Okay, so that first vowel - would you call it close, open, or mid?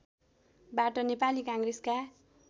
open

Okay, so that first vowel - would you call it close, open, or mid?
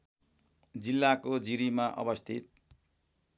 close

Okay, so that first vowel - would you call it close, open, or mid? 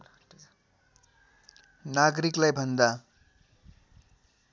open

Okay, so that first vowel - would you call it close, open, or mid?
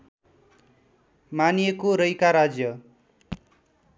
open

